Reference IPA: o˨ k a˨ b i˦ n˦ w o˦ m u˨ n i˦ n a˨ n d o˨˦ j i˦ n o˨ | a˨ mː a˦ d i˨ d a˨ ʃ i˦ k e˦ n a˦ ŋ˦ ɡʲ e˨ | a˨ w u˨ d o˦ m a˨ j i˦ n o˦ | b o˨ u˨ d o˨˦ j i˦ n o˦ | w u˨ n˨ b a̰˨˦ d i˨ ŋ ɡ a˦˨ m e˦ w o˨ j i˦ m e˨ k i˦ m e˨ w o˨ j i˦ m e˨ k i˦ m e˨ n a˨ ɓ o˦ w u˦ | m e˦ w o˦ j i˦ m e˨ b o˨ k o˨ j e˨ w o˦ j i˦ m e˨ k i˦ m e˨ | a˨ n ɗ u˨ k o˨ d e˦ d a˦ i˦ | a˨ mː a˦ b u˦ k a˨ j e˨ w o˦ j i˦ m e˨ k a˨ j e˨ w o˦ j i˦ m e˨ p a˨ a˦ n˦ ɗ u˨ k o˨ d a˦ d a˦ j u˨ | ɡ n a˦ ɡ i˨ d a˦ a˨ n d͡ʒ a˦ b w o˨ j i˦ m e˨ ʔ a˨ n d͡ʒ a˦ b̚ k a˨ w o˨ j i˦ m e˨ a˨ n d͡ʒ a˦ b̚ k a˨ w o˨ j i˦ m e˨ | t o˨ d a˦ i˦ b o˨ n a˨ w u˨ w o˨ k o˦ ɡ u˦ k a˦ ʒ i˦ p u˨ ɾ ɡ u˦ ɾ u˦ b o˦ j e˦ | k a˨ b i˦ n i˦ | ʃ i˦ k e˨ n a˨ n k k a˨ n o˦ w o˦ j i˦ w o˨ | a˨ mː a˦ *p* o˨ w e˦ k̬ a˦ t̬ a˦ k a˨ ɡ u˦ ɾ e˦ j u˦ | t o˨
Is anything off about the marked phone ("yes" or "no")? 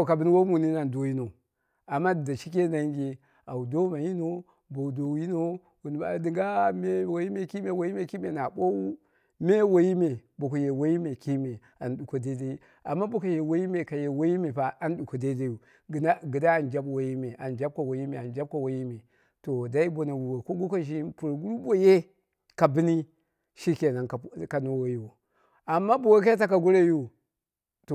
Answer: yes